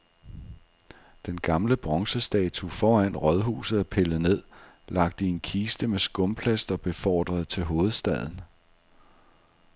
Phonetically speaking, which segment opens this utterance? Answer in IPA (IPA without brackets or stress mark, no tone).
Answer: d̥